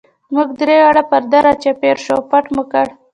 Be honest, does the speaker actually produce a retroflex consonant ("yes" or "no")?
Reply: yes